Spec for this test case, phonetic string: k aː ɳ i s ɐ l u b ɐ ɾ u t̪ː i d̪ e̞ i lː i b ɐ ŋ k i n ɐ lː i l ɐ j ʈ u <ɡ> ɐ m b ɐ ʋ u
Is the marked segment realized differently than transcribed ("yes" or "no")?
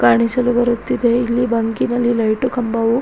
yes